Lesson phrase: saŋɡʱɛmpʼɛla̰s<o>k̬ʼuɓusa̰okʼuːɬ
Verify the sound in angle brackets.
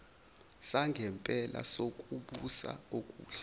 correct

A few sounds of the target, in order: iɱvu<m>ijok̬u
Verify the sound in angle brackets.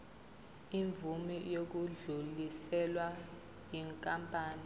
correct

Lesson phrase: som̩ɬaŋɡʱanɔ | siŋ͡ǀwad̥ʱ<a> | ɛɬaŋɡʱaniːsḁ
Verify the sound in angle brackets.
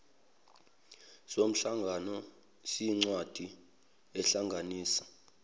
incorrect: i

